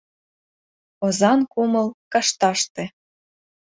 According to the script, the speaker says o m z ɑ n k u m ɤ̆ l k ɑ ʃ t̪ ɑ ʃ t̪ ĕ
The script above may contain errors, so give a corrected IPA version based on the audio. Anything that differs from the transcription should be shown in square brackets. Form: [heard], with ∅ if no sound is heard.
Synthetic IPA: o [∅] z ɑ n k u m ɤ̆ l k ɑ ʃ t̪ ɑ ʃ t̪ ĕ